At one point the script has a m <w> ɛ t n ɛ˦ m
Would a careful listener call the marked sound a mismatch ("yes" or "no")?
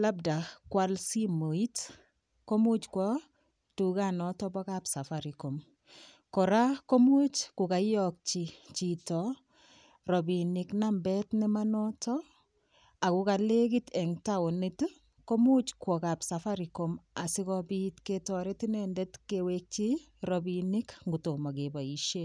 yes